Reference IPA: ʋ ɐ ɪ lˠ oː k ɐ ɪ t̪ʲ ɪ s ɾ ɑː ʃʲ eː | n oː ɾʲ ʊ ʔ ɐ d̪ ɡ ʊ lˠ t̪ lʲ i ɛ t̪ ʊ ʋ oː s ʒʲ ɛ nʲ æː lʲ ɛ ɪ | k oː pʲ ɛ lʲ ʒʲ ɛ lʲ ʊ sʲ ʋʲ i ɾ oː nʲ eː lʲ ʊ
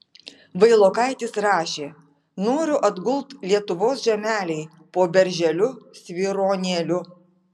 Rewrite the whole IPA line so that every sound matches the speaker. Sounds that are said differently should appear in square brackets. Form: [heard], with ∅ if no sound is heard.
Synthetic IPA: ʋ ɐ ɪ lˠ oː k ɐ ɪ t̪ʲ ɪ s ɾ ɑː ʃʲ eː | n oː ɾʲ ʊ ʔ ɐ d̪ ɡ ʊ lˠ t̪ lʲ i ɛ t̪ ʊ ʋ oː s ʒʲ ɛ [mʲ] æː lʲ ɛ ɪ | [p] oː [bʲ] ɛ [ɾʲ] ʒʲ ɛ lʲ ʊ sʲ ʋʲ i ɾ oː nʲ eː lʲ ʊ